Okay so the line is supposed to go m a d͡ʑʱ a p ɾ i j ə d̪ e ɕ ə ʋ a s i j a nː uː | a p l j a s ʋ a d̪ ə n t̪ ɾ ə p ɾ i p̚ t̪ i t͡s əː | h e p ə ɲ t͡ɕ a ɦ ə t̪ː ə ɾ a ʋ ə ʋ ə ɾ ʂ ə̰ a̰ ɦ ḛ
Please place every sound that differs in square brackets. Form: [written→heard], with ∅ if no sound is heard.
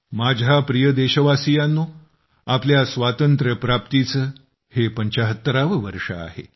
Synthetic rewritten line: m a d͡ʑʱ a p ɾ i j ə d̪ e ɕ ə ʋ a s i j a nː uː | a p l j a s ʋ a [d̪→t̪] ə n t̪ ɾ ə p ɾ [i→a] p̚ t̪ i t͡s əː | h e p ə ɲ t͡ɕ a ɦ ə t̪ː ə ɾ a ʋ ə ʋ ə ɾ ʂ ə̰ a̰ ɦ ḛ